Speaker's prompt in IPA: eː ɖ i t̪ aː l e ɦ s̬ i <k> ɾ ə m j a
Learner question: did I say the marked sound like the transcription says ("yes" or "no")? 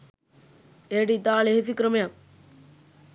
yes